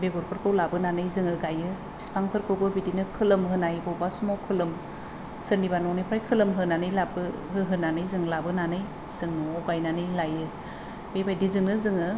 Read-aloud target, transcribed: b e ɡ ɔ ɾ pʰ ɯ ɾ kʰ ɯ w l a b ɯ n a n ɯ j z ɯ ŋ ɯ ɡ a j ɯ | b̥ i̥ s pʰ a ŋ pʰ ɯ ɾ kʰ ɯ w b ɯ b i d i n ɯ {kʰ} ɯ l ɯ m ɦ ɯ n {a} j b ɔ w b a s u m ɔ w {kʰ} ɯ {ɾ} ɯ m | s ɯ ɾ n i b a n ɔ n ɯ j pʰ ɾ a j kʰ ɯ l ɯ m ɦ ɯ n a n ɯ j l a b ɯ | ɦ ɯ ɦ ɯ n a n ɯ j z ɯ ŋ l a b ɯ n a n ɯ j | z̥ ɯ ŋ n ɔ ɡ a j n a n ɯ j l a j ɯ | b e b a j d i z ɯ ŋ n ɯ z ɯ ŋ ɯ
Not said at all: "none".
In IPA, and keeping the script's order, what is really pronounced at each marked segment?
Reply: kʰ, a, kʰ, l

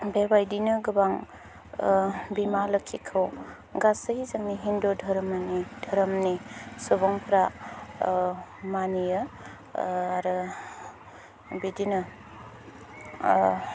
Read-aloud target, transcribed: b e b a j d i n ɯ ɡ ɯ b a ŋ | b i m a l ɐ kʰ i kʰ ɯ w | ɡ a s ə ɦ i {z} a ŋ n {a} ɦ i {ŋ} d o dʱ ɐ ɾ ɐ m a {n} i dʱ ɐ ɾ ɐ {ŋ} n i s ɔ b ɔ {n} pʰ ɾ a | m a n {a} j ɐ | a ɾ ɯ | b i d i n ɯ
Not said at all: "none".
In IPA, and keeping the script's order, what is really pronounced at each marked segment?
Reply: z, i, n, n, m, ŋ, i

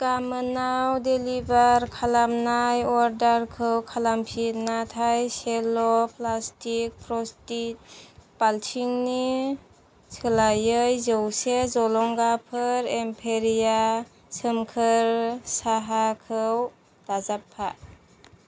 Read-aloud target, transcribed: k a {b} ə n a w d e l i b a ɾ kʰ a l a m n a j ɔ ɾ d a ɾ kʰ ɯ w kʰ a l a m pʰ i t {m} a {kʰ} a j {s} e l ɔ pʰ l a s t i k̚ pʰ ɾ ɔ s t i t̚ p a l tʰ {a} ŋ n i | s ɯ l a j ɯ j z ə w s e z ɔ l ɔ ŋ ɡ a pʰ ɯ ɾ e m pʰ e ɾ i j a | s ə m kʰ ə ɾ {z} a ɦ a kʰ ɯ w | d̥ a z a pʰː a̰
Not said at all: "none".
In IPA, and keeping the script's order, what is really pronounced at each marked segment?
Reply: m, n, tʰ, s, i, s

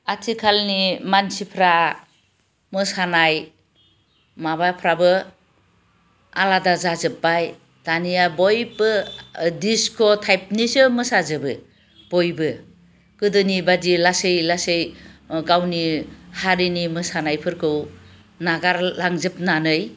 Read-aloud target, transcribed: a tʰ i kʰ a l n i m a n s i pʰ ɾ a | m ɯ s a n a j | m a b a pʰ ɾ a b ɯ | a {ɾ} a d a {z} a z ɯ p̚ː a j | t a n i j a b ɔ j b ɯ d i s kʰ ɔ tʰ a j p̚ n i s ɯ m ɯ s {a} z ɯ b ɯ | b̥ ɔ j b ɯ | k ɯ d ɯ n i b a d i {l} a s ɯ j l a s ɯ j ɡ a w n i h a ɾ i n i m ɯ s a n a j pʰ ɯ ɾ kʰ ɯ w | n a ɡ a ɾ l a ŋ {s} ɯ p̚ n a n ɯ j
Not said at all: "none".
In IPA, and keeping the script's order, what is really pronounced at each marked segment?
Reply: l, z, a, l, z

